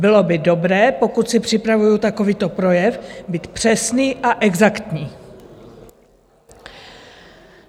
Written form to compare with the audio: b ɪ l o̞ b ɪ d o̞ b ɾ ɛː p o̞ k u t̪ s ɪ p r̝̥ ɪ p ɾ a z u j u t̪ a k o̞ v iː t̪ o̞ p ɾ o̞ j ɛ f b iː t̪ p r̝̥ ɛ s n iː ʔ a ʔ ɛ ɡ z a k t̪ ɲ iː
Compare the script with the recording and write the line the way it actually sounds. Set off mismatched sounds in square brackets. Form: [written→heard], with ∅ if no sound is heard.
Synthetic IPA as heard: b ɪ l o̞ b ɪ d o̞ b ɾ ɛː p o̞ k u t̪ s ɪ p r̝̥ ɪ p ɾ a [z→v] u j u t̪ a k o̞ v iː t̪ o̞ p ɾ o̞ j ɛ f b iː t̪ p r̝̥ ɛ s n iː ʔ a ʔ ɛ ɡ z a k t̪ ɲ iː